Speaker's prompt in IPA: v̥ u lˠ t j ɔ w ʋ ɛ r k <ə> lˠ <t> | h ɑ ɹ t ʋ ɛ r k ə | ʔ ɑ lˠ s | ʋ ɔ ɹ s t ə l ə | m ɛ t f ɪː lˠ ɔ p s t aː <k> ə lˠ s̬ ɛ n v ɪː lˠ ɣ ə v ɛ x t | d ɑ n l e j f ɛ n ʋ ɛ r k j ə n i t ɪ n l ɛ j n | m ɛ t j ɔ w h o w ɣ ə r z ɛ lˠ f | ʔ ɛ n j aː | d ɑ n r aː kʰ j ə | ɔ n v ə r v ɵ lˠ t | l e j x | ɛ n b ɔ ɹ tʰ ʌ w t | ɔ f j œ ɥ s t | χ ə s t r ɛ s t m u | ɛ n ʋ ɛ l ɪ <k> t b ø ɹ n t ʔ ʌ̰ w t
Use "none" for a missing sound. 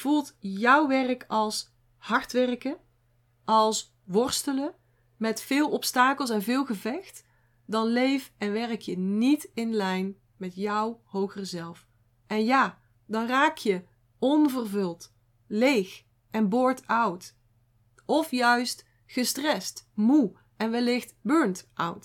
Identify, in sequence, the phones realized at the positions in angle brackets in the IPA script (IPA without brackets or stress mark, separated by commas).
ɑ, s, k, x